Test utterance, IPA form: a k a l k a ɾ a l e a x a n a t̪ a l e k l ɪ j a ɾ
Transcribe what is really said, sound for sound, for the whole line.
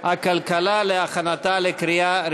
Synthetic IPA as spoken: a k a l k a l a l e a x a n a t̪ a l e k ɾ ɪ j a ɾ